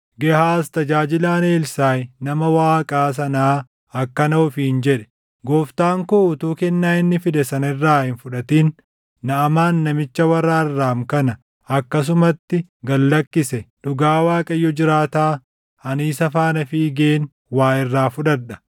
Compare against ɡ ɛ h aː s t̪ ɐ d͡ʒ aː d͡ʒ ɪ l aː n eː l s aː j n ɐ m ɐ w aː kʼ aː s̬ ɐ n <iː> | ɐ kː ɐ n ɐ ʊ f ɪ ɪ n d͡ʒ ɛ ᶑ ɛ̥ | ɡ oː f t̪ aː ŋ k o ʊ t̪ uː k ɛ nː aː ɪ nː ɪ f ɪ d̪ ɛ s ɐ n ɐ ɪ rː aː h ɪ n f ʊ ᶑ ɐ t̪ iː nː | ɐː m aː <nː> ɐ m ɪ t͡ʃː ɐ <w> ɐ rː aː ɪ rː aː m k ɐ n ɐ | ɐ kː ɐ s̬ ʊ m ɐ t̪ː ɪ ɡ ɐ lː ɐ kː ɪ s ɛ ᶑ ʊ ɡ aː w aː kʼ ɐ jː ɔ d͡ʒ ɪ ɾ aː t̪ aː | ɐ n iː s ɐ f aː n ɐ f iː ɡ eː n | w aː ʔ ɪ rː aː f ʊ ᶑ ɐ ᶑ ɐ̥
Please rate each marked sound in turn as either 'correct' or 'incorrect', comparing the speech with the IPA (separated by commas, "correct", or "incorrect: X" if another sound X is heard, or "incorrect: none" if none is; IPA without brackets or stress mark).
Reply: incorrect: aː, correct, correct